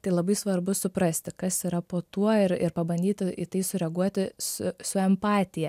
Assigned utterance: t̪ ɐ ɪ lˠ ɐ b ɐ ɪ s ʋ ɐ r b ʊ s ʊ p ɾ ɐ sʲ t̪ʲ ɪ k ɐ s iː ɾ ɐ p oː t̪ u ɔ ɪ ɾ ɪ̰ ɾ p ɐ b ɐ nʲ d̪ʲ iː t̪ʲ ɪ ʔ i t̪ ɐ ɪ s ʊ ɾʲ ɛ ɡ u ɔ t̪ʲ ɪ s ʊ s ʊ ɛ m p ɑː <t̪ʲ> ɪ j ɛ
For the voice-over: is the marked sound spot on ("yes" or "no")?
yes